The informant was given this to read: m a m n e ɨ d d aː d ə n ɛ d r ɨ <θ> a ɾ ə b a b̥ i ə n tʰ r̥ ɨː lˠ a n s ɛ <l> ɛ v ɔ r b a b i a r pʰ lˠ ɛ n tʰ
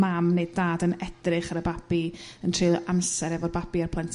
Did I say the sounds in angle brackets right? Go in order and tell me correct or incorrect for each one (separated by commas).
incorrect, incorrect